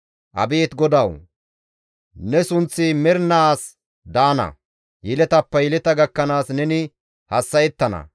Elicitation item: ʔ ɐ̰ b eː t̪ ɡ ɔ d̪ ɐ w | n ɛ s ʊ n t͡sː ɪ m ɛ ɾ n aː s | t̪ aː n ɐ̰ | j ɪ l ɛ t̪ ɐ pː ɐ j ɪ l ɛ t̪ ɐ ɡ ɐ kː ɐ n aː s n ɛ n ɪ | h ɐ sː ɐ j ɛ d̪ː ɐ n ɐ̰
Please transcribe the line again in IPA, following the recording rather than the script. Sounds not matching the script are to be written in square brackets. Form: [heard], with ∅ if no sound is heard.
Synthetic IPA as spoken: ʔ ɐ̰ b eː t̪ ɡ ɔ d̪ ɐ w | n ɛ s ʊ n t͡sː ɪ m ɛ ɾ n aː s | [d̪] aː n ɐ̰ | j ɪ l ɛ t̪ ɐ pː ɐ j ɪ l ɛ t̪ ɐ ɡ ɐ kː ɐ n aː s n ɛ n ɪ | h ɐ sː ɐ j ɛ [t̪ː] ɐ n ɐ̰